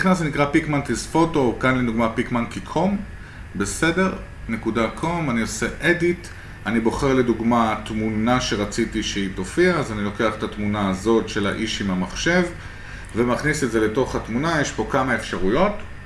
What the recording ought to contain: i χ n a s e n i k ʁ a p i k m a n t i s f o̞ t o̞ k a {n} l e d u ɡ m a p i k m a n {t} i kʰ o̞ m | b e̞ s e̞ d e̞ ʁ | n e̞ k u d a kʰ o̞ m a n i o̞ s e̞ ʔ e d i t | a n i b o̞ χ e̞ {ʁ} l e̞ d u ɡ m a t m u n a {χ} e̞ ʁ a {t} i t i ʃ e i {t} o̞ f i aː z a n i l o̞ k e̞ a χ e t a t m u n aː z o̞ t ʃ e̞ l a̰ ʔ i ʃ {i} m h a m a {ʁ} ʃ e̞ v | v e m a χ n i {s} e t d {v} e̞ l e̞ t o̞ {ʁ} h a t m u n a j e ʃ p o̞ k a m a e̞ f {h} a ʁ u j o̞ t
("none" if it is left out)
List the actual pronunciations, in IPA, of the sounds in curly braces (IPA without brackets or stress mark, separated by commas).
n, k, ʁ, ʃ, t͡s, t, i, χ, s, z, χ, ʃ